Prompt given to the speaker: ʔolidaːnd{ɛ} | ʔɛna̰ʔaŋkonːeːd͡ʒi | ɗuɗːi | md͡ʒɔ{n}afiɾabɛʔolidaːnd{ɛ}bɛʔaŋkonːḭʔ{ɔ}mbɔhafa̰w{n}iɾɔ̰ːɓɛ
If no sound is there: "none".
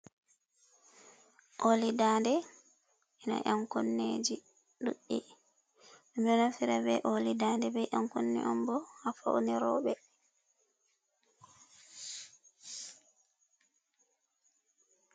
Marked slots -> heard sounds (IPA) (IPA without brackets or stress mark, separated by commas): ɛ, n, ɛ, ɔ, n